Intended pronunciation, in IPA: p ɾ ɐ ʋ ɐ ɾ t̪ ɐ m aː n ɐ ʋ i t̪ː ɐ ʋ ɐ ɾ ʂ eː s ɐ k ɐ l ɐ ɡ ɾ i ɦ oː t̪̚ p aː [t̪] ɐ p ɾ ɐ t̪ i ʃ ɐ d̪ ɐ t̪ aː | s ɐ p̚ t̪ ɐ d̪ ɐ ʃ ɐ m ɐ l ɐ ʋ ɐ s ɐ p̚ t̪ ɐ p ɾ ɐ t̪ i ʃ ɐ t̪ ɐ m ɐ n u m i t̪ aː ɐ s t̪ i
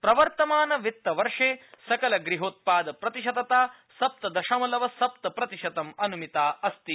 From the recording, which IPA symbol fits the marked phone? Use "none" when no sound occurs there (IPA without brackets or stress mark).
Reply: d̪